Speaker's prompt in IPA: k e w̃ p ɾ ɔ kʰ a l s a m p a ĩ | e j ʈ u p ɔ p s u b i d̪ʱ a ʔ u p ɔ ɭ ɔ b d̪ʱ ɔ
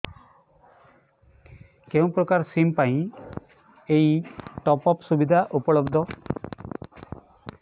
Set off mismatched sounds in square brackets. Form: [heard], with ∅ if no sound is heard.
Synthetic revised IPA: k e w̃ p ɾ ɔ [k] a [ɾ] s [i] m p a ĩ | e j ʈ [ɔ] p ɔ p s u b i d̪ʱ a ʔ u p ɔ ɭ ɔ b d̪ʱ ɔ